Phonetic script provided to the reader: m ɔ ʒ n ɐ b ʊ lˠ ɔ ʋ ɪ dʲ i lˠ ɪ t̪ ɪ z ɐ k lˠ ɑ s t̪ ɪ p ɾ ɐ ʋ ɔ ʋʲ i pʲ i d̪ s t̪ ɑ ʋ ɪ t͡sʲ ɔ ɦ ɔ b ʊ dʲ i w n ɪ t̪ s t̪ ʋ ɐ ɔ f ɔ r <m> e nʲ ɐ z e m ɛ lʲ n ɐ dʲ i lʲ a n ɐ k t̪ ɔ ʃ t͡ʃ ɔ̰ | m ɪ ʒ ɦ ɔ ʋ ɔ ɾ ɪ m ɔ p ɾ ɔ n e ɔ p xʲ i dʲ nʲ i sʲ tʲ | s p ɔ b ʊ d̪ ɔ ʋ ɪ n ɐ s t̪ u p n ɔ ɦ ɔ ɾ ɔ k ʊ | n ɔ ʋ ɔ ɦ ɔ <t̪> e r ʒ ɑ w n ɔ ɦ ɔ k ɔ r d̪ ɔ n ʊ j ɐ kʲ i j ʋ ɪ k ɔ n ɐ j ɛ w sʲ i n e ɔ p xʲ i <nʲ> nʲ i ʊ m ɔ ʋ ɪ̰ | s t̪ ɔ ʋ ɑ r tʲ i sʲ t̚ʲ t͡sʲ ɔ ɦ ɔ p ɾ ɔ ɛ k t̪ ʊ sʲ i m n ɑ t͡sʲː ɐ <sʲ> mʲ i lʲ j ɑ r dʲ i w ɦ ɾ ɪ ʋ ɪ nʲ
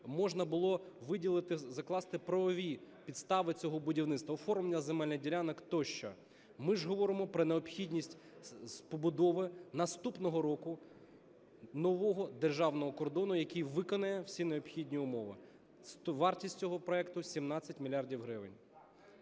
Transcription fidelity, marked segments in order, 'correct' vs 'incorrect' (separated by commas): correct, incorrect, incorrect, incorrect